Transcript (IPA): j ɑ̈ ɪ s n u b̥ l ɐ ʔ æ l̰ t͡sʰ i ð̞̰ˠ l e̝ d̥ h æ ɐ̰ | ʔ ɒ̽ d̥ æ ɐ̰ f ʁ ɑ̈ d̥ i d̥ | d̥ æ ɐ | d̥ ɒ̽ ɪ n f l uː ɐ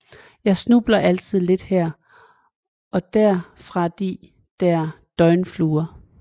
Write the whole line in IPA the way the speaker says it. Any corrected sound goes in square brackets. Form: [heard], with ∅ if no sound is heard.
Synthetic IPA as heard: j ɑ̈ ɪ s n u b̥ l ɐ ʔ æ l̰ t͡sʰ i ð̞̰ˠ l e̝ d̥ h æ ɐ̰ | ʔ ɒ̽ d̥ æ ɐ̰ f ʁ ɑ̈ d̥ i [∅] | d̥ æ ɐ | d̥ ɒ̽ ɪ n f l uː ɐ